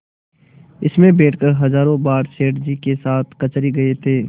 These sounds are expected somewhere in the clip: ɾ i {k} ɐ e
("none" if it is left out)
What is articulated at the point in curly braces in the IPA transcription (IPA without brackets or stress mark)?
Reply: ɡ